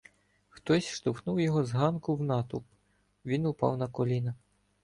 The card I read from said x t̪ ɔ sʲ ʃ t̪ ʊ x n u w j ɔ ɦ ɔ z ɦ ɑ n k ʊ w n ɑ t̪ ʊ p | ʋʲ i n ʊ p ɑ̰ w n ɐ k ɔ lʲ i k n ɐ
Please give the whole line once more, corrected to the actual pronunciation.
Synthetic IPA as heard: x t̪ ɔ sʲ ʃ t̪ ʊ x n u w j ɔ ɦ ɔ z ɦ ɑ n k ʊ w n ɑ t̪ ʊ p | ʋʲ i n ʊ p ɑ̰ w n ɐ k ɔ lʲ i n ɐ